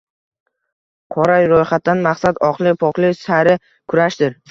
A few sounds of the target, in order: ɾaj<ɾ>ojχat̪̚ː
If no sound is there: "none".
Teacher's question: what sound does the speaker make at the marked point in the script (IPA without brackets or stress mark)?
ɾ